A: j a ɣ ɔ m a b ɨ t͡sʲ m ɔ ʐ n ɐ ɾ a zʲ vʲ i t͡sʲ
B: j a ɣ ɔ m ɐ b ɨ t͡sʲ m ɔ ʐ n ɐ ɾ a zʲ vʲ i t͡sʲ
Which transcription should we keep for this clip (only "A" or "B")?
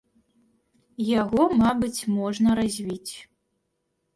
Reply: A